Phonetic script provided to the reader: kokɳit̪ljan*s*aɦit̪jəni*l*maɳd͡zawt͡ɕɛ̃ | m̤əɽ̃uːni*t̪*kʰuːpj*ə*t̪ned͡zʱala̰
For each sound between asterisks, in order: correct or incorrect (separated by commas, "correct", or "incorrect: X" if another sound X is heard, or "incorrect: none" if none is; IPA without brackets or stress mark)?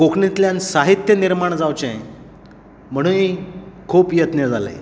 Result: correct, incorrect: ɾ, incorrect: none, correct